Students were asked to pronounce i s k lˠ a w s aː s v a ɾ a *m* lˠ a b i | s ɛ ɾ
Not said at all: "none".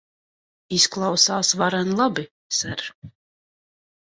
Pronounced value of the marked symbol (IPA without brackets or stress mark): n